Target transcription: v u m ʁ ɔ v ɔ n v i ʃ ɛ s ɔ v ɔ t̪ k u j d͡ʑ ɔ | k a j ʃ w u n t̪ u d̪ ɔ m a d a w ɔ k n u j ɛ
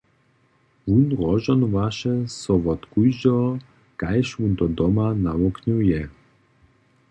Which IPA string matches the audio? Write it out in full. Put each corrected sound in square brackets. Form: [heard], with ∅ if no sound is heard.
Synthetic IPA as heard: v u [n] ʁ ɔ [ʒ] ɔ n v [a] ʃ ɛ s ɔ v ɔ t̪ k u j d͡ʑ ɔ | k a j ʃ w u n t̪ [ɔ] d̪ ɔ m a [n] a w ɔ k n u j ɛ